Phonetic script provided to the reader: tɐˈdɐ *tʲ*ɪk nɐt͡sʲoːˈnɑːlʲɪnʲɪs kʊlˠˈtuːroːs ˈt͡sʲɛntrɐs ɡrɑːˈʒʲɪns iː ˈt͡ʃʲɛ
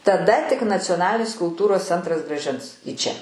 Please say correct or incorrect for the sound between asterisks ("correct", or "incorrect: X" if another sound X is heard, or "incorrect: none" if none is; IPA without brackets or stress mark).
correct